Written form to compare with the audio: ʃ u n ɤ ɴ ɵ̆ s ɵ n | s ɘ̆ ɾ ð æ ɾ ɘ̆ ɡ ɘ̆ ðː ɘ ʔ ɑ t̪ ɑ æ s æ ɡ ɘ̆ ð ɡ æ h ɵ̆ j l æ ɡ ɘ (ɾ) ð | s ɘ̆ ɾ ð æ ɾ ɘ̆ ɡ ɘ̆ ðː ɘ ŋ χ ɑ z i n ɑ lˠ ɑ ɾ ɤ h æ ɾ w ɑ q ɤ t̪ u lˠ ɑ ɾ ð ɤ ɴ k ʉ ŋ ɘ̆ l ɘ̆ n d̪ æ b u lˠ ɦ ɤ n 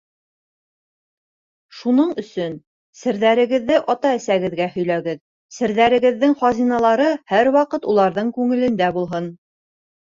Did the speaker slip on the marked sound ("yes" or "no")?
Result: yes